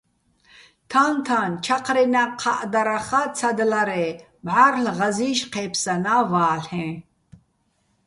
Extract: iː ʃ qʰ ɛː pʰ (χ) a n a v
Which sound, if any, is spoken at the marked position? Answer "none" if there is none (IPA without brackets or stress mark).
s